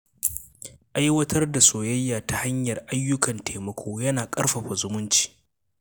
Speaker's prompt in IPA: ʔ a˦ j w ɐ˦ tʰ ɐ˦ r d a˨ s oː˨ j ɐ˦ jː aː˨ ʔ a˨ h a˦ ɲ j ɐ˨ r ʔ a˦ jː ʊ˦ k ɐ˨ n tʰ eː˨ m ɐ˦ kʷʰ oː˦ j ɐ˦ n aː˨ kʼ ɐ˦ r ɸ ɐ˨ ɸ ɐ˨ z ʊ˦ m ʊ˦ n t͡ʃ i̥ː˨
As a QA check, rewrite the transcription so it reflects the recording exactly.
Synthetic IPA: ʔ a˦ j w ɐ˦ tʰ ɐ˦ r d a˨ s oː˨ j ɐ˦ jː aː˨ t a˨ h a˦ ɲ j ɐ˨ r ʔ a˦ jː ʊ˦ k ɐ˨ n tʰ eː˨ m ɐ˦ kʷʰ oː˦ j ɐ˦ n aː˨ kʼ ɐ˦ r ɸ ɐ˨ ɸ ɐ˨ z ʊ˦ m ʊ˦ n t͡ʃ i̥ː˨